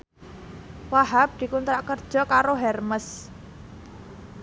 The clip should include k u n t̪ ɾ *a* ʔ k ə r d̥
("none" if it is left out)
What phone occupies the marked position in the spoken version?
a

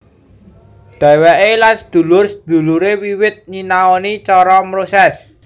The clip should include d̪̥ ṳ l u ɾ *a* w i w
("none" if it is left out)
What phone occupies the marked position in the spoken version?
e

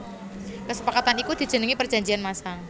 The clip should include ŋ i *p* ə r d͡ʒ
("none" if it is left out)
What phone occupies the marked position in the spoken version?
p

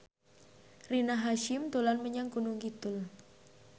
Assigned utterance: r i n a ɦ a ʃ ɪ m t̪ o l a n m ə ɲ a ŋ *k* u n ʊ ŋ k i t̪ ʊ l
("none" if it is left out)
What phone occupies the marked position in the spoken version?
k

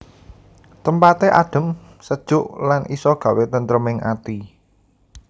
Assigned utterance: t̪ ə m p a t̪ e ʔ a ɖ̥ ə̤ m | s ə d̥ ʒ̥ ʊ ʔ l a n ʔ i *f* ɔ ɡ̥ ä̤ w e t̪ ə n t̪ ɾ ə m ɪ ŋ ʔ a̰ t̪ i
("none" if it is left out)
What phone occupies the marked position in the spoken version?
s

